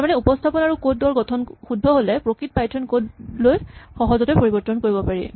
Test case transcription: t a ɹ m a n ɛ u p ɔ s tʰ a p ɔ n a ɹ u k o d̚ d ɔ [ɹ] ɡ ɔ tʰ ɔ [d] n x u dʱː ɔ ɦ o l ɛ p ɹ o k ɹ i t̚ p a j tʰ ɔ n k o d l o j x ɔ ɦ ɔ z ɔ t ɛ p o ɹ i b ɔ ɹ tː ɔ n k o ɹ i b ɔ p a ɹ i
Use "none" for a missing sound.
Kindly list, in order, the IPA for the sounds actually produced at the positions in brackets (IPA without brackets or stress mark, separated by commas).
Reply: ɹ, none